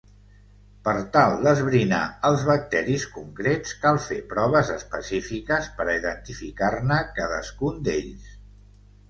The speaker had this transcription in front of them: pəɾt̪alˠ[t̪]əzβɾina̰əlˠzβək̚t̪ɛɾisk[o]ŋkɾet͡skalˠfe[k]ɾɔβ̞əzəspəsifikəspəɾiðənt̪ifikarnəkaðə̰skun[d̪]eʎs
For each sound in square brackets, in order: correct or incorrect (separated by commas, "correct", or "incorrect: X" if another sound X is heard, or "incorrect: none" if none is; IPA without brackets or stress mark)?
incorrect: d̪, incorrect: u, incorrect: p, correct